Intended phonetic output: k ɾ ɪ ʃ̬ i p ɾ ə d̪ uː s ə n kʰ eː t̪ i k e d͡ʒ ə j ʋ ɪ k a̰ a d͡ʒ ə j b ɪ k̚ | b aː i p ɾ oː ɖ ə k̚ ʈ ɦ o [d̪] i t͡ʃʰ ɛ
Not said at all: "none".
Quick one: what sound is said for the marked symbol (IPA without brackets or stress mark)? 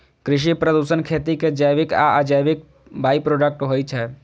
none